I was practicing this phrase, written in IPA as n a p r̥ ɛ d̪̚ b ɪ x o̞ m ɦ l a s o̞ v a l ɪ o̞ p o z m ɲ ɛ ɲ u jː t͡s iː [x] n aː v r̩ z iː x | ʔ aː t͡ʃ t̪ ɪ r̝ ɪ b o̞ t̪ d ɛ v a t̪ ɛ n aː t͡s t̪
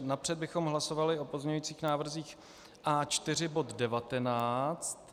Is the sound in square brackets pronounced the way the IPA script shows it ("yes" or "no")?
yes